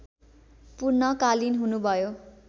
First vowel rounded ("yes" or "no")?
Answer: yes